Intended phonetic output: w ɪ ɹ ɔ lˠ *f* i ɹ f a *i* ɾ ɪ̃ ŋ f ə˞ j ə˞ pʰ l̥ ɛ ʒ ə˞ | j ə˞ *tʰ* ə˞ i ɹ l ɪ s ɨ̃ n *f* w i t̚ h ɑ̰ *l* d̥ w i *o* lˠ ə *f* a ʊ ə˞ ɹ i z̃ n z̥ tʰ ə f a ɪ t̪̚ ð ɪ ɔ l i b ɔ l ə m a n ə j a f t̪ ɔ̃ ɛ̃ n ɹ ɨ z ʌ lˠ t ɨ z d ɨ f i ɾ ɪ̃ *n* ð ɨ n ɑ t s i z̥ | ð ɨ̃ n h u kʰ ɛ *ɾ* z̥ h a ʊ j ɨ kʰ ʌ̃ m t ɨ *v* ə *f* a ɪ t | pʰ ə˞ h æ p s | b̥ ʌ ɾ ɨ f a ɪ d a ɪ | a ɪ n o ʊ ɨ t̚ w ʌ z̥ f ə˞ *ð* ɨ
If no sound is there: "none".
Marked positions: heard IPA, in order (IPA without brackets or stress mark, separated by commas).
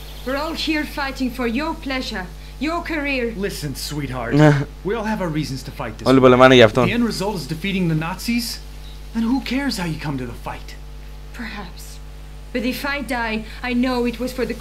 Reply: h, ɪ, kʰ, s, ɹ, ɔ, v, ŋ, ɹ, ð, f, ð